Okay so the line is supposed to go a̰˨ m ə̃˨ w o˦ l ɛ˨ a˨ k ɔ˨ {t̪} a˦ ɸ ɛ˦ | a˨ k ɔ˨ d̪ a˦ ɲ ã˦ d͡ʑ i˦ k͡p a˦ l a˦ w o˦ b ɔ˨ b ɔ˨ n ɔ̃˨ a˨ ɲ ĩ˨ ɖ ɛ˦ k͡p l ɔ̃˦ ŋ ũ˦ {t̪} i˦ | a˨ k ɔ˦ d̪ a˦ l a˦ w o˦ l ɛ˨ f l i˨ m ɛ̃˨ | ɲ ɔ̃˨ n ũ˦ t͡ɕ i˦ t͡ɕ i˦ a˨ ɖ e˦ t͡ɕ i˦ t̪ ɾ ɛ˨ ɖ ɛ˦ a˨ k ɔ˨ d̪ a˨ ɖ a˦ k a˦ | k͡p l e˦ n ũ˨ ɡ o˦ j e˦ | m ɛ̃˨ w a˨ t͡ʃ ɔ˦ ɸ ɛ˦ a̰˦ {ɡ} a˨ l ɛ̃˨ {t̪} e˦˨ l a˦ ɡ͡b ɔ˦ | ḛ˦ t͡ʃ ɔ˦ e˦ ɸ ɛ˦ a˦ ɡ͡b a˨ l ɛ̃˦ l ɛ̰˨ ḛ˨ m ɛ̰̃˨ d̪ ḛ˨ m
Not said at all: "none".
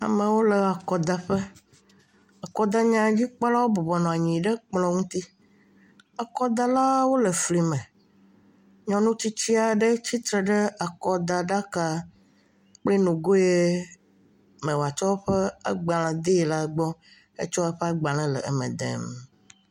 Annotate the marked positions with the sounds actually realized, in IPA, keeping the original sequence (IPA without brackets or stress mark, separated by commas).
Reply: d̪, t̪, ɡ͡b, d̪